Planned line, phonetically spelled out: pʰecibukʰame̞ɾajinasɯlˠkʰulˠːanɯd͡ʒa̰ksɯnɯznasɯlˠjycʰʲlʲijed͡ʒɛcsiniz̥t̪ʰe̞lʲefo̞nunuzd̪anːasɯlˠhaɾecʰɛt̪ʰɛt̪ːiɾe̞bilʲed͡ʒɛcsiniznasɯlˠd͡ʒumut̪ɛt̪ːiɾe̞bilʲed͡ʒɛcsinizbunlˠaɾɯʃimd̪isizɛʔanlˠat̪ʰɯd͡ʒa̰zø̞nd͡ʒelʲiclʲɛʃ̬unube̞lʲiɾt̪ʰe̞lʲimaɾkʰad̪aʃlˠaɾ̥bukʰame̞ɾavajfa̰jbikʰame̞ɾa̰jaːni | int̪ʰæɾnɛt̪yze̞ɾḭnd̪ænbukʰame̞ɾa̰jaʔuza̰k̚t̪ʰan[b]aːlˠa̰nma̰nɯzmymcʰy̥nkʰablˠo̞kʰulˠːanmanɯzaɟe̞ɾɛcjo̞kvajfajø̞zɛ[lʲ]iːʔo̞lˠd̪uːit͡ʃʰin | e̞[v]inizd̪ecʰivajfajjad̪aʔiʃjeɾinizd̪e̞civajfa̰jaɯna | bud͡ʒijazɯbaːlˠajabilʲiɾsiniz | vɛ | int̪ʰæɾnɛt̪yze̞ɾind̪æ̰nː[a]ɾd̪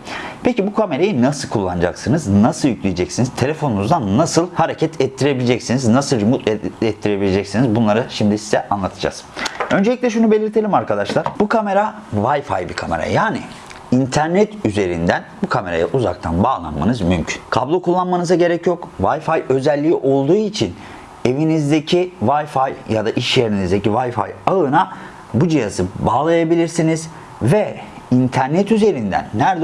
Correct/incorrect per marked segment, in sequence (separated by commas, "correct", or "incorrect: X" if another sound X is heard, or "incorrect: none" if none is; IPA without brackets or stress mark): correct, incorrect: lʲː, correct, incorrect: æ